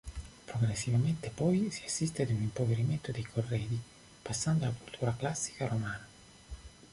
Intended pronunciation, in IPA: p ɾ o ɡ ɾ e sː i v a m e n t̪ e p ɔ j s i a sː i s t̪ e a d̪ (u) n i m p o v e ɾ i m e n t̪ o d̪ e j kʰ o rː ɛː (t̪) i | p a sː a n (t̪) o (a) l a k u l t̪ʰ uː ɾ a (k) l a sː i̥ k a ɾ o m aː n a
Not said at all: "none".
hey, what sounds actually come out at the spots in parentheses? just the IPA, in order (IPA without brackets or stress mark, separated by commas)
u, d̪, d̪, a, k